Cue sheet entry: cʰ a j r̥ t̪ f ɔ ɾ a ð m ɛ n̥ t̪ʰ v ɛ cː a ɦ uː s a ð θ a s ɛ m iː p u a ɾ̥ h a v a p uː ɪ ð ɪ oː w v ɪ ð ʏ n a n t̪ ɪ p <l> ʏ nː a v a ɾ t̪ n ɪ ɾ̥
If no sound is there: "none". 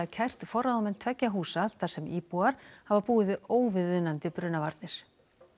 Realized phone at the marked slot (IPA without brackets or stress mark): ɾ